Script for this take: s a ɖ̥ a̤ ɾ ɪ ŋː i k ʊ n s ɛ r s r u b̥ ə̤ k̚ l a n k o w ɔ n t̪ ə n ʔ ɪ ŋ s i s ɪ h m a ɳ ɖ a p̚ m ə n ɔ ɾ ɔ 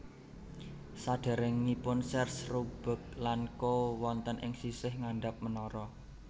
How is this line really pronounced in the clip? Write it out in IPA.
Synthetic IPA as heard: s a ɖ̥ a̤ ɾ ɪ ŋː i p ʊ n s ɛ r s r u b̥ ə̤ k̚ l a n k o w ɔ n t̪ ə n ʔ ɪ ŋ s i s ɪ h ŋ a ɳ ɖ a p̚ m ə n ɔ ɾ ɔ

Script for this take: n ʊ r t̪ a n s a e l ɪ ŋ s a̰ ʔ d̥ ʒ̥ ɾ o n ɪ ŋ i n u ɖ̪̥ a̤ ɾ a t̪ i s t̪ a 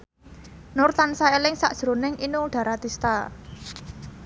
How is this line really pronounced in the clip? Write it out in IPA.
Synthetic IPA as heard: n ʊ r t̪ a n s a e l ɪ ŋ s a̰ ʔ d̥ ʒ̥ ɾ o n ɪ ŋ i n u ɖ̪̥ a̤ ɾ a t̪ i s t̪ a

